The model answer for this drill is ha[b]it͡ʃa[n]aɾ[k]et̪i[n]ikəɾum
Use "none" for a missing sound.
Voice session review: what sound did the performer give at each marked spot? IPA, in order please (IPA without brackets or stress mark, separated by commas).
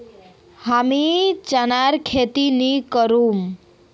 m, n, kʰ, n